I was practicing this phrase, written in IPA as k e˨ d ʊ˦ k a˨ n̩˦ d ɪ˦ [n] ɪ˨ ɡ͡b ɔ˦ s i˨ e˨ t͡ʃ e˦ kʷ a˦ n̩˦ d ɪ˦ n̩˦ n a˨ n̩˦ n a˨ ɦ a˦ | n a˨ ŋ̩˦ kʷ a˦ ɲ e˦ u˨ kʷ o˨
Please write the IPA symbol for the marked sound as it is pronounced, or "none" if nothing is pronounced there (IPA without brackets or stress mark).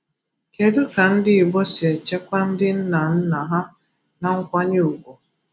none